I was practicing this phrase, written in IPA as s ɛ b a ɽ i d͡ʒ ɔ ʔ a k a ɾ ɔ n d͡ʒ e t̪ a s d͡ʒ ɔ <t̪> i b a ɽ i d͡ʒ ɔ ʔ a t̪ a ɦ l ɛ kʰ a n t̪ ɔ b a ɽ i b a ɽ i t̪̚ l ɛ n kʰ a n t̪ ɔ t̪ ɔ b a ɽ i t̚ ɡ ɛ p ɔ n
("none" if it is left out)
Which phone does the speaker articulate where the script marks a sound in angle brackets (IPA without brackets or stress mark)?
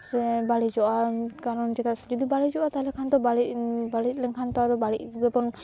d̪